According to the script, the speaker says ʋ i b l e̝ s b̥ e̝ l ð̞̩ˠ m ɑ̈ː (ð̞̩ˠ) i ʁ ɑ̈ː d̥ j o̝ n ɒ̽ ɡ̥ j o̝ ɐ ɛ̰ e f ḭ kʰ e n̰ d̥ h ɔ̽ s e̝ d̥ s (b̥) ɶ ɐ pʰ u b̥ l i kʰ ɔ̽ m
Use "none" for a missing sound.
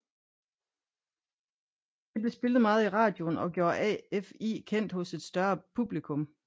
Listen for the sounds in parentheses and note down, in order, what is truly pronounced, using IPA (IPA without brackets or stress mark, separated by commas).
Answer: ð̞̩ˠ, d̥